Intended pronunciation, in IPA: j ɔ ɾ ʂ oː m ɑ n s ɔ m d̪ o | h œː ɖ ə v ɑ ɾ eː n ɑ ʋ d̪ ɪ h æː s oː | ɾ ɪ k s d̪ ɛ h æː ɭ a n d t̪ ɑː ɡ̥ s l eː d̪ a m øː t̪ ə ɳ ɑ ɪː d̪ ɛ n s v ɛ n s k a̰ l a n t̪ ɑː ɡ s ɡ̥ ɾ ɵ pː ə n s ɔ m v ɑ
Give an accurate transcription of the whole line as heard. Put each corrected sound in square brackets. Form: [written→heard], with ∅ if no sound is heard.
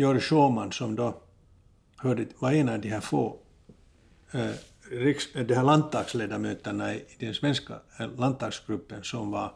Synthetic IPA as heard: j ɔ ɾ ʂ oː m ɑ n s ɔ m d̪ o | h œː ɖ ə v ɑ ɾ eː n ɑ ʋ d̪ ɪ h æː [s→f] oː | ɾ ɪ k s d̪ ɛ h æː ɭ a n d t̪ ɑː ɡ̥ s l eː d̪ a m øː t̪ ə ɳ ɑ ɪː d̪ ɛ n s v ɛ n s k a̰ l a n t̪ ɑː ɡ s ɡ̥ ɾ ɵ pː ə n s ɔ m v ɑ